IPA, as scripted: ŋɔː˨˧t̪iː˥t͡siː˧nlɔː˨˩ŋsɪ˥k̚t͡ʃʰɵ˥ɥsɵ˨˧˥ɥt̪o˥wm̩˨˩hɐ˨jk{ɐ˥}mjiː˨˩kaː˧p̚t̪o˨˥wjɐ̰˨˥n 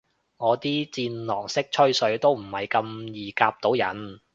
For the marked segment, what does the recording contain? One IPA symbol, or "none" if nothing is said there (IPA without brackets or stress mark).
ɐ˧